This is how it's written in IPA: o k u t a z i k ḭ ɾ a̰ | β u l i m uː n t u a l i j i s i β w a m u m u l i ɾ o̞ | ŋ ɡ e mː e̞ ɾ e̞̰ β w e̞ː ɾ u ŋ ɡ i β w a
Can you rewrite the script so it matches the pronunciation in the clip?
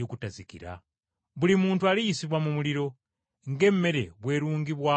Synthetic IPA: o k u t a z i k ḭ ɾ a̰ | β u l i m uː n t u a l i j i s i β w a m u m u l i ɾ o̞ | ŋ ɡ e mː e̞ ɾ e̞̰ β w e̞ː ɾ uː ŋ ɡ i β w a